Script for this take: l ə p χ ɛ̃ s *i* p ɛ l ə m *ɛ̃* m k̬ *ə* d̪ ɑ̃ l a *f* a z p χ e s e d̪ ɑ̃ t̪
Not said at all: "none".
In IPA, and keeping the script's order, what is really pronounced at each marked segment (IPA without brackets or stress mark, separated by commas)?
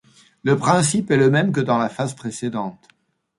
i, ɛ, ə, f